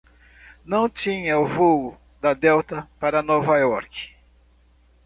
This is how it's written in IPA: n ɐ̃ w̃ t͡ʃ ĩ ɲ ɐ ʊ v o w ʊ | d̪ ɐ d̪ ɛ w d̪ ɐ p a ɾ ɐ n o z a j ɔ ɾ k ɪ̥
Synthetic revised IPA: n ɐ̃ w̃ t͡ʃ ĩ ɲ ɐ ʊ v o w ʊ | d̪ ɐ d̪ ɛ w t̪ ɐ p a ɾ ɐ n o v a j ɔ ɾ k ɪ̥